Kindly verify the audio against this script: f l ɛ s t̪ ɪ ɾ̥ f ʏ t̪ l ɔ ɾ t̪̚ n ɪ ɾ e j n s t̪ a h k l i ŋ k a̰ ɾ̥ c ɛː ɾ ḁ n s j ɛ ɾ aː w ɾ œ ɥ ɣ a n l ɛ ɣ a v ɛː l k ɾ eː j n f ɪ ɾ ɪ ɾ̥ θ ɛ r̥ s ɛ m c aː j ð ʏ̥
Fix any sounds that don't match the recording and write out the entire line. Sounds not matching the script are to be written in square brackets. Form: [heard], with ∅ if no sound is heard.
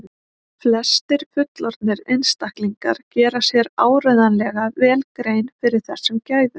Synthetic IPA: f l ɛ s t̪ ɪ ɾ̥ f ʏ t̪ l ɔ ɾ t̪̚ n ɪ ɾ e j n s t̪ a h k l i ŋ k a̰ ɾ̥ c ɛː ɾ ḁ [∅] s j ɛ ɾ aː w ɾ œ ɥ [ð] a n l ɛ ɣ a v ɛː l k ɾ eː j n f ɪ ɾ ɪ ɾ̥ θ ɛ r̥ s ɛ m c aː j ð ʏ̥